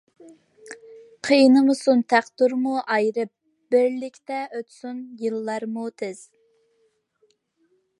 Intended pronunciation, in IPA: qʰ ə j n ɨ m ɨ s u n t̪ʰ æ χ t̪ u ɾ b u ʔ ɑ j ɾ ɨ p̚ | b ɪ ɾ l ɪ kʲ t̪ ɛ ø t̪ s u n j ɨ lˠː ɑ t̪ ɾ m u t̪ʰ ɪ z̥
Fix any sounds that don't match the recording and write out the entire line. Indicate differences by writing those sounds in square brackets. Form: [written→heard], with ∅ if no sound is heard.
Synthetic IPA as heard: qʰ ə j n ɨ m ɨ s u n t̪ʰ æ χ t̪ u ɾ [b→m] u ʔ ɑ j ɾ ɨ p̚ | b ɪ ɾ l ɪ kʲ t̪ ɛ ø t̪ s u n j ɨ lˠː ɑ [t̪→∅] ɾ m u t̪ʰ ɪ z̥